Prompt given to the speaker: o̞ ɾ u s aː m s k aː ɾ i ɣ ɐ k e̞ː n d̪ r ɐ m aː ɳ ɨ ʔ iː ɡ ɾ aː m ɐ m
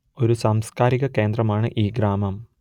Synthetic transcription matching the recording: o̞ ɾ u s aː m s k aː ɾ i ɣ ɐ k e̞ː n d̪ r ɐ m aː ɳ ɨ ʔ iː ɡ ɾ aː m ɐ m